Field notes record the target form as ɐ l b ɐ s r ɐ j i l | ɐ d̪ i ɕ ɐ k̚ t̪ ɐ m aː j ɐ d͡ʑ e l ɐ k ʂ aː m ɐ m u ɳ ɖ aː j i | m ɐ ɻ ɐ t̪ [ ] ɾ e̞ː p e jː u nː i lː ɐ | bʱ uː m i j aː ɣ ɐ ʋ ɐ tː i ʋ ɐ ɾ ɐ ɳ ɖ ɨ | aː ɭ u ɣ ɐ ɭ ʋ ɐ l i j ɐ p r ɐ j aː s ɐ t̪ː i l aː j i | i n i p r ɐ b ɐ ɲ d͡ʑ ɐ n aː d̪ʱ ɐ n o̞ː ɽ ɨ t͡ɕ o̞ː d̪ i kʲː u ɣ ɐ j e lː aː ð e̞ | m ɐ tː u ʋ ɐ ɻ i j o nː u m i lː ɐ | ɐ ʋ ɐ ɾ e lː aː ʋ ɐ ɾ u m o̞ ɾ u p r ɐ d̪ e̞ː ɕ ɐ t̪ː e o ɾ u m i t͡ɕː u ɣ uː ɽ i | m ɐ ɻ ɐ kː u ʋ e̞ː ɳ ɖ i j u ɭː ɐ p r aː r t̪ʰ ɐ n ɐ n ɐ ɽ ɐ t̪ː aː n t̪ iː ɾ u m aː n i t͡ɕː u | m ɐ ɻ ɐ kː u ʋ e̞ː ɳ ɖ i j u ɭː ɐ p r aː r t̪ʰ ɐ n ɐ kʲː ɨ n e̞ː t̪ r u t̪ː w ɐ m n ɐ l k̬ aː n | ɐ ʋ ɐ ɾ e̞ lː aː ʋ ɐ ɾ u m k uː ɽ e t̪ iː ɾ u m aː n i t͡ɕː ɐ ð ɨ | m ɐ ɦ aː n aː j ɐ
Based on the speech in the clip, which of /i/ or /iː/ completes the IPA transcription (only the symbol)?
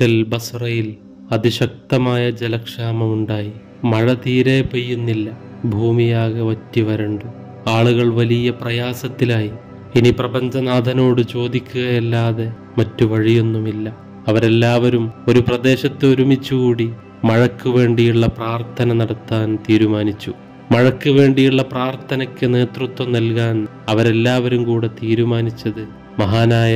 iː